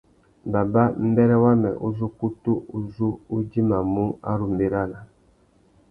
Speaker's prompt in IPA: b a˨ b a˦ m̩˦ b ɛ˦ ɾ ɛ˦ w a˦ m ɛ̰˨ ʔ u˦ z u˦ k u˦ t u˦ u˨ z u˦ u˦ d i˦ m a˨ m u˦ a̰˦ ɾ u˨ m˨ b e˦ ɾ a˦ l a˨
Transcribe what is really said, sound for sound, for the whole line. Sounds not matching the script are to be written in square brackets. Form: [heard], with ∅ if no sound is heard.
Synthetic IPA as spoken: b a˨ b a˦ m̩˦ b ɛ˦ ɾ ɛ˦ w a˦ m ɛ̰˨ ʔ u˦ z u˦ k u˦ t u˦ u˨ z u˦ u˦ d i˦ m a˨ m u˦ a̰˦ ɾ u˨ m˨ b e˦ ɾ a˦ l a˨